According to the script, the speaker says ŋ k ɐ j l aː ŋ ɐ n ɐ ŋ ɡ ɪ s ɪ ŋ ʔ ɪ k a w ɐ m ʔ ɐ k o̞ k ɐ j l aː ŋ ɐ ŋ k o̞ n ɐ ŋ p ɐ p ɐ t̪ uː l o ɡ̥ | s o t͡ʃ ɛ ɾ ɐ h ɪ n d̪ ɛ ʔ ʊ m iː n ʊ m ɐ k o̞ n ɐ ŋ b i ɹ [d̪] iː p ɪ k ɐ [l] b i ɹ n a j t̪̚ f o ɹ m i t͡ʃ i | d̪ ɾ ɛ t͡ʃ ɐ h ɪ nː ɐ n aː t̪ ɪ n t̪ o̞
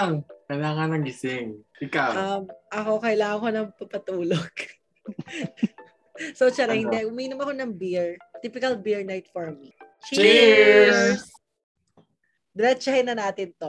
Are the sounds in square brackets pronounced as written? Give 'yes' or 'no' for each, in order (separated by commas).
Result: no, yes